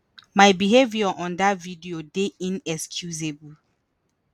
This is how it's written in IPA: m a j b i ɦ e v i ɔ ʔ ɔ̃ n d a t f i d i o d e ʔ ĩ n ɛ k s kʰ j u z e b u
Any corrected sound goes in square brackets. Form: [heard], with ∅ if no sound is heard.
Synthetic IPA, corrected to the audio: m a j b i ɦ e v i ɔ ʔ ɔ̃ n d a t [v] i d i o d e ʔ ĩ n ɛ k s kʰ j u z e b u